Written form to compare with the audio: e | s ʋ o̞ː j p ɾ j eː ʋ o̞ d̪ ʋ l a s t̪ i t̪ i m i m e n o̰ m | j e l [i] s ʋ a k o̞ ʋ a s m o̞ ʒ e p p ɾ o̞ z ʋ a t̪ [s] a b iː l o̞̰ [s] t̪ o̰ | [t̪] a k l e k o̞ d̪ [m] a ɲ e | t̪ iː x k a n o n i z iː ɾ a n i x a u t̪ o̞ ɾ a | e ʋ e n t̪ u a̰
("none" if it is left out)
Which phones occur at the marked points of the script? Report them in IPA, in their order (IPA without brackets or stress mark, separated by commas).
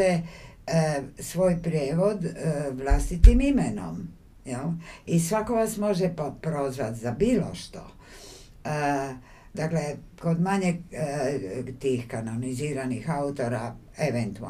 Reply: i, z, ʃ, d̪, m